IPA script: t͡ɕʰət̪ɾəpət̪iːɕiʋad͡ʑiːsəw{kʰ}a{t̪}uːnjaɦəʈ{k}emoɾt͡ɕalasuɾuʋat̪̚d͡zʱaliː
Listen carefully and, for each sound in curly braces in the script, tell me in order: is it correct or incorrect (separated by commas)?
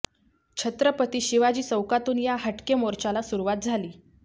incorrect, correct, correct